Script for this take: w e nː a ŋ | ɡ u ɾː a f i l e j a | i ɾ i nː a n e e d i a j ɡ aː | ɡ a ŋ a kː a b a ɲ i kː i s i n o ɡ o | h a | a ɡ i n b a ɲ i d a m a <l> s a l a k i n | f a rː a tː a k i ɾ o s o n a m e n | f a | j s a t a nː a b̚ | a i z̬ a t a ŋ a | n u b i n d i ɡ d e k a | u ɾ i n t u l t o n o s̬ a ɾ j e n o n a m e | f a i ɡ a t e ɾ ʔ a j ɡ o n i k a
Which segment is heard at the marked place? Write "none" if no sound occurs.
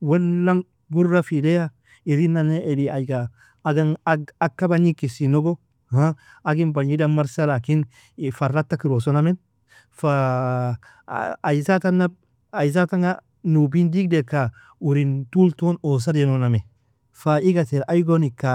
ɾ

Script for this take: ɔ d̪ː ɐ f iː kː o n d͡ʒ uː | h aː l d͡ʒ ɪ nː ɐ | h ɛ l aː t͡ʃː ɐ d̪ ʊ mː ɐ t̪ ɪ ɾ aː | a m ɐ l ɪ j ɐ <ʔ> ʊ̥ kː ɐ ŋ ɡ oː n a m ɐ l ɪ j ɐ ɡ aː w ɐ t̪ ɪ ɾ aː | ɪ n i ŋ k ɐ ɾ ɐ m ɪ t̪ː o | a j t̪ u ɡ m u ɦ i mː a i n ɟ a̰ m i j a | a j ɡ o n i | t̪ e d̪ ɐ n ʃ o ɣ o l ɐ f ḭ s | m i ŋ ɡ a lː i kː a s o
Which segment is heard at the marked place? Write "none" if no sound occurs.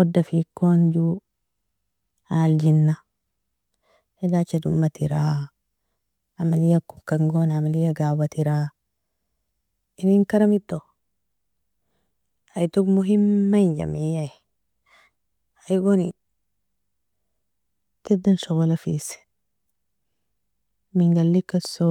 k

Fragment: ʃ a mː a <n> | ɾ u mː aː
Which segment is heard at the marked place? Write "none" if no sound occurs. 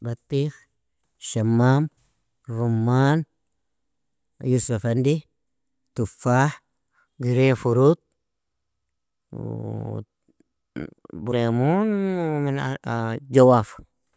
m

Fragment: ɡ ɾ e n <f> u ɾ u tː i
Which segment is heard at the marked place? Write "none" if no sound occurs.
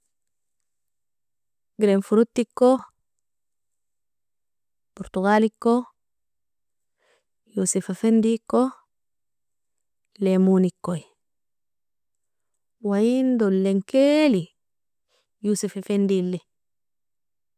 f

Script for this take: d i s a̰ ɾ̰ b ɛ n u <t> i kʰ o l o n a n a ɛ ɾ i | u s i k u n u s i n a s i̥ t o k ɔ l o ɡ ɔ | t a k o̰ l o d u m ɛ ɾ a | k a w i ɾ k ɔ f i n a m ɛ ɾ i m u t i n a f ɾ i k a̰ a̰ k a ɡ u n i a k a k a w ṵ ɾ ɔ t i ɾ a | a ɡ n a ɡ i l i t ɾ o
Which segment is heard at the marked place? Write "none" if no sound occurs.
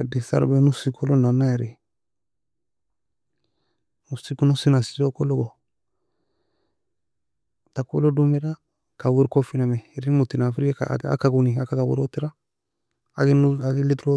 s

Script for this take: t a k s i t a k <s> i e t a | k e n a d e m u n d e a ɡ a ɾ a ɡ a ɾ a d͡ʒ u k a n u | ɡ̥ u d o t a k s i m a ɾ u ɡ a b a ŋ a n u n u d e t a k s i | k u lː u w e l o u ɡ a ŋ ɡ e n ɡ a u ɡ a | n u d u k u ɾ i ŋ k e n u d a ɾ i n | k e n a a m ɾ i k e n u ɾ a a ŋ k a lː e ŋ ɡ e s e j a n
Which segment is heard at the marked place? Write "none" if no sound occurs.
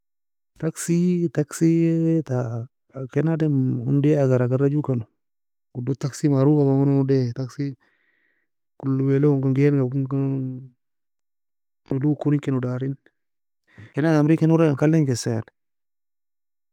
s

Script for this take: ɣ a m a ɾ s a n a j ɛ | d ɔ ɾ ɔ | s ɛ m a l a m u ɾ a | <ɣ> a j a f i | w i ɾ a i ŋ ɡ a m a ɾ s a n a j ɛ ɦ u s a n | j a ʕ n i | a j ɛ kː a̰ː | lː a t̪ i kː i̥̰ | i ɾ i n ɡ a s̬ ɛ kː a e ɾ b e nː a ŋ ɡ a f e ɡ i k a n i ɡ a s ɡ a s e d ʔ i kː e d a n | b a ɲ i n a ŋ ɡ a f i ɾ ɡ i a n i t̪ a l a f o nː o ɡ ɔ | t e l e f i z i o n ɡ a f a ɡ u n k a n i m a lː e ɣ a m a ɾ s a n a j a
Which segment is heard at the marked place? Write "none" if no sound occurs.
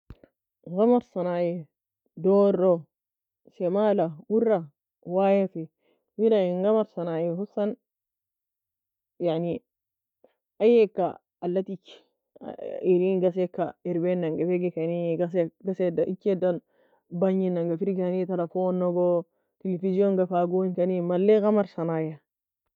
w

